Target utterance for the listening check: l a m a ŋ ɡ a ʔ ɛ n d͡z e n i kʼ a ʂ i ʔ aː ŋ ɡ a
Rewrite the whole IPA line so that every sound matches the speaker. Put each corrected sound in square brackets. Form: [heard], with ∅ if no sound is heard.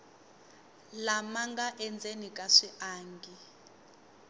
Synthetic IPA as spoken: l a m a ŋ ɡ a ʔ ɛ n d͡z e n i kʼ a ʂ i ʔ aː ŋ ɡ [i]